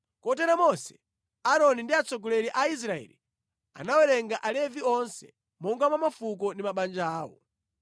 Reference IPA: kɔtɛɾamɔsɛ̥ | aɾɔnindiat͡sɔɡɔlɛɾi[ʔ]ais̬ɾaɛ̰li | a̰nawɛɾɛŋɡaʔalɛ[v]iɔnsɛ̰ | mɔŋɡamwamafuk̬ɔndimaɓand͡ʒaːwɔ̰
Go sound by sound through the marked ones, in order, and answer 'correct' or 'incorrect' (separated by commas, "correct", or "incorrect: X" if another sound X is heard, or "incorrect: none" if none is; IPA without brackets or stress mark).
correct, correct